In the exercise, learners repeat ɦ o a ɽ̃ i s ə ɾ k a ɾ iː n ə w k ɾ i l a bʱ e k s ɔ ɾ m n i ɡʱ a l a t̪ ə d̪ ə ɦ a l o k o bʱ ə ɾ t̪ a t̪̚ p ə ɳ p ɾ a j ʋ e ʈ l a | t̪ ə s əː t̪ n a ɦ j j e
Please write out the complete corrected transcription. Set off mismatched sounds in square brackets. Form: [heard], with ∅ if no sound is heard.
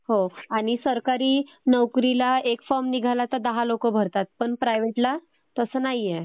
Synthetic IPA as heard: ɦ o a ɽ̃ i s ə ɾ k a ɾ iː n ə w k ɾ i l a [∅] e k [f] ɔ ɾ m n i ɡʱ a l a t̪ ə d̪ ə ɦ a l o k o bʱ ə ɾ t̪ a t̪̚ p ə ɳ p ɾ a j ʋ e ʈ l a | t̪ ə s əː [∅] n a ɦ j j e